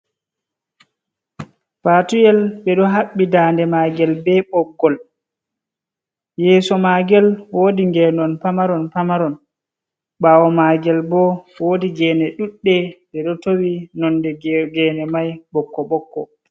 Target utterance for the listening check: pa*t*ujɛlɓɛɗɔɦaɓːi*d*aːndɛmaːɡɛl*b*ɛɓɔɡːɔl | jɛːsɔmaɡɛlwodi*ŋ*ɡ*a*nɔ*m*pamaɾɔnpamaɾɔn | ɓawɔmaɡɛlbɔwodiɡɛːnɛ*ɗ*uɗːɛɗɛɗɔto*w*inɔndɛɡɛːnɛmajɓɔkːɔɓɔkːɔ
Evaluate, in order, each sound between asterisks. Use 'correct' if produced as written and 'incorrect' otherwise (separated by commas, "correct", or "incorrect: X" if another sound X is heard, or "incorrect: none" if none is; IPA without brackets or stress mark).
correct, correct, correct, correct, incorrect: ɛ, incorrect: n, correct, correct